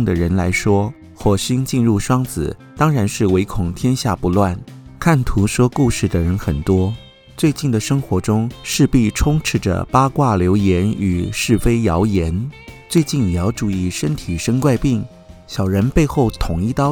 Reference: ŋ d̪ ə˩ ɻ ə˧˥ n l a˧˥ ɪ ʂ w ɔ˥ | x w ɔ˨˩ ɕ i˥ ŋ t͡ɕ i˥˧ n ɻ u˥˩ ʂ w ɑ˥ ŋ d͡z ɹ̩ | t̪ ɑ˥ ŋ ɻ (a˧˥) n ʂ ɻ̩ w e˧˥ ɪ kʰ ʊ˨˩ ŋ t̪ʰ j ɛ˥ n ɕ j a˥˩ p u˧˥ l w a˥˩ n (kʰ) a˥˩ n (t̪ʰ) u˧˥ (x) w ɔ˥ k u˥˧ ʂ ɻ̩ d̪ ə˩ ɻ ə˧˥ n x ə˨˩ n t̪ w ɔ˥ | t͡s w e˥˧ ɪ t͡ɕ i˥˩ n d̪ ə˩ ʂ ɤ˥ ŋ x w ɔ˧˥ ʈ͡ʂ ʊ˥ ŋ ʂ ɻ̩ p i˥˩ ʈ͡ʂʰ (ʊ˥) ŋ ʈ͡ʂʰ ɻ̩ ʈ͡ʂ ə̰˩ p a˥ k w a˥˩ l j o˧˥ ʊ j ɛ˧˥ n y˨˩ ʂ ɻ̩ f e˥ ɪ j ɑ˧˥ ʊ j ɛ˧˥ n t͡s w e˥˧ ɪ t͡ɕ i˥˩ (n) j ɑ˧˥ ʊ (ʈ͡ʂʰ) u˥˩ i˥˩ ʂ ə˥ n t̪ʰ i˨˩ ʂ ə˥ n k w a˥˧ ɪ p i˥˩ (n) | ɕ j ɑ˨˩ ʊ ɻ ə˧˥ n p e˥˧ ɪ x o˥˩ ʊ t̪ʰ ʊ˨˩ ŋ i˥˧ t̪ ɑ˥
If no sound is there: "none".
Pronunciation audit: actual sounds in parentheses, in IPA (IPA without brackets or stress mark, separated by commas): a˧˥, kʰ, t̪ʰ, ʂ, ʊ˥, n, ʈ͡ʂ, ŋ